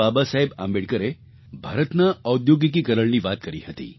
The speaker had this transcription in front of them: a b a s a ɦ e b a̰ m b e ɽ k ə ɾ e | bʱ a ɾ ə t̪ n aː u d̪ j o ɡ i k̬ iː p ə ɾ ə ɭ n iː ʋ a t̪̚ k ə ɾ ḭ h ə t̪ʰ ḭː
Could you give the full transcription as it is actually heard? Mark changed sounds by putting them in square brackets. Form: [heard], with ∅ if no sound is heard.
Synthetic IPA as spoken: a b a s a ɦ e b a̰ m b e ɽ k ə ɾ e | bʱ a ɾ ə t̪ n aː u d̪ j o ɡ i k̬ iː [k] ə ɾ ə ɭ n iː ʋ a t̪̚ k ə ɾ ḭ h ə [t̪] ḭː